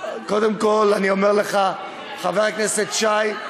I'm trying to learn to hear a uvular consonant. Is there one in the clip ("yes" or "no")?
yes